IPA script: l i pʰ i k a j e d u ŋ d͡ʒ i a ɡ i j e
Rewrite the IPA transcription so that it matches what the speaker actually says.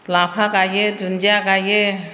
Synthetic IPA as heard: l a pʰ a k a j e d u n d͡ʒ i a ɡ a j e